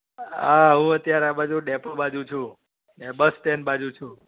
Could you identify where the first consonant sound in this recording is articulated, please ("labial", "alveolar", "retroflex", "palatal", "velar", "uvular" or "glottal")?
glottal